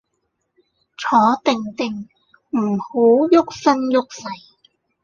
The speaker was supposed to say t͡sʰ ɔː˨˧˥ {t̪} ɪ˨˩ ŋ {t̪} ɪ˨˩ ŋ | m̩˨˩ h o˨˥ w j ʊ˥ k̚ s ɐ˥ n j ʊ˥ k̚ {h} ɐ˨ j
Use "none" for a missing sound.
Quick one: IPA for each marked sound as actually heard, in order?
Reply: t̪, t̪, s

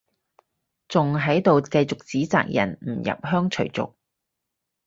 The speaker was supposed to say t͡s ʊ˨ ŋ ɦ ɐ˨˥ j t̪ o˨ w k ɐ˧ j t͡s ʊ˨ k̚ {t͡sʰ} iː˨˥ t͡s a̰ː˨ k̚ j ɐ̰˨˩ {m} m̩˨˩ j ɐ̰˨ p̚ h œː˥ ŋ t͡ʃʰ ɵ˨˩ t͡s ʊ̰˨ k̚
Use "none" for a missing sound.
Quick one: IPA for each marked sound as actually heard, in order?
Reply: t͡s, n

